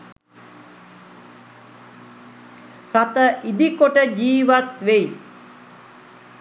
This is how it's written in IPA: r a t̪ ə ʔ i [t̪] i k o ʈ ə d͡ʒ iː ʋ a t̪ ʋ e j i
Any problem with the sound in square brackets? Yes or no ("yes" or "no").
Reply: yes